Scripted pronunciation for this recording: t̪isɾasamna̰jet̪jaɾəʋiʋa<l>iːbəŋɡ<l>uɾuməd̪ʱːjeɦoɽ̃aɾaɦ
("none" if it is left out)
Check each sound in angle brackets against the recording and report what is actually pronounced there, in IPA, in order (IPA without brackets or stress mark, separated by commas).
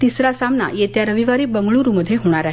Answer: ɾ, ɭ